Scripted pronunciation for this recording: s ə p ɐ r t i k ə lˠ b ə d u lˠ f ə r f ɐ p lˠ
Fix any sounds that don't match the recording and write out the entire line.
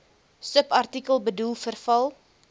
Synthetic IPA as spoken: s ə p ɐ r t i k ə lˠ b ə d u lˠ f ə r f ɐ lˠ